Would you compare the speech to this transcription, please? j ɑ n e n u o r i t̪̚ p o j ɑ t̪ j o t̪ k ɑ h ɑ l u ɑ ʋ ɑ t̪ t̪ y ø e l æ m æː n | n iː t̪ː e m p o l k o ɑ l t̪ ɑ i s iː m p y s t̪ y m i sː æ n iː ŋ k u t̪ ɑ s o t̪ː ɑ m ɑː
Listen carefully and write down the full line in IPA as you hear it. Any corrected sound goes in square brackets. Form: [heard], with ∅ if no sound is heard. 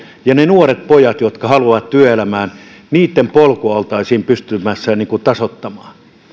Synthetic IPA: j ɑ n e n u o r [e] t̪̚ p o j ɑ t̪ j o t̪ k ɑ h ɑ l u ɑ ʋ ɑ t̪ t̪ y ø e l æ m æː n | n iː t̪ː e m p o l k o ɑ l t̪ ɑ i s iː m p y s t̪ y m [æ] sː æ n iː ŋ k u t̪ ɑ s o t̪ː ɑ m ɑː